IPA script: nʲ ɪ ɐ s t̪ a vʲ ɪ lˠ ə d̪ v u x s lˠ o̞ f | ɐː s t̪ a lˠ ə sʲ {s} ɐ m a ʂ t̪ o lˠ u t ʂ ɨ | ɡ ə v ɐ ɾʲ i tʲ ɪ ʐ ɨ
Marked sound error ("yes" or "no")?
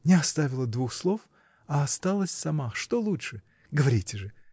no